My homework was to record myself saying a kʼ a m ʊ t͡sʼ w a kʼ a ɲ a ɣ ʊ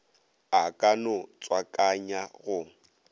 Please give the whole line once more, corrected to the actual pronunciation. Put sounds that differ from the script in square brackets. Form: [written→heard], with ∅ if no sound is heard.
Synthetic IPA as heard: a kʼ a [m→n] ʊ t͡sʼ w a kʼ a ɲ a ɣ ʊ